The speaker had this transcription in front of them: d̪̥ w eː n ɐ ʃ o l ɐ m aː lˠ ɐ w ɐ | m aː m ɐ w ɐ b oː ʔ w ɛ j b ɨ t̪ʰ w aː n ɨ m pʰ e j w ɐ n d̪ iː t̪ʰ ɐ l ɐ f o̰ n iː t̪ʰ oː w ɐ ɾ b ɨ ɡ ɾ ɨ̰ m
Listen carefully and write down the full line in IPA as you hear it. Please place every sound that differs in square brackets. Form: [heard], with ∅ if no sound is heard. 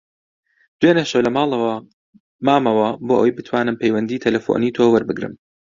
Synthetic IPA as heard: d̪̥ w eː n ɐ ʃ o l ɐ m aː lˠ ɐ w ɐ | m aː m ɐ w ɐ b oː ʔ w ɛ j b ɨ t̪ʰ w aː n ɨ m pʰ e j w ɐ n d̪ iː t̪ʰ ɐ l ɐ f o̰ n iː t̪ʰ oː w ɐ ɾ b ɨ ɡ ɾ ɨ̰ m